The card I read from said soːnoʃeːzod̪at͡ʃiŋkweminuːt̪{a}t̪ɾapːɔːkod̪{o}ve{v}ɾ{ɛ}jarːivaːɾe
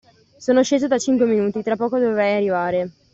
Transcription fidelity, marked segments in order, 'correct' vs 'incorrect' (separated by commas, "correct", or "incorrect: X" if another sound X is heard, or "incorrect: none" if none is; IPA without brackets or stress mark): incorrect: i, correct, correct, correct